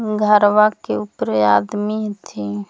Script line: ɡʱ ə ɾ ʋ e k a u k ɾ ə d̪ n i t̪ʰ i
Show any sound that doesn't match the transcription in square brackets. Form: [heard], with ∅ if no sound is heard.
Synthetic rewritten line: ɡʱ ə ɾ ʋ [a] k [e] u [p] ɾ [a] d̪ [m] i t̪ʰ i